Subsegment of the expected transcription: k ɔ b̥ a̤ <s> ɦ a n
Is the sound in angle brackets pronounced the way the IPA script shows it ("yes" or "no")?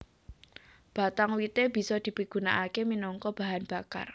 no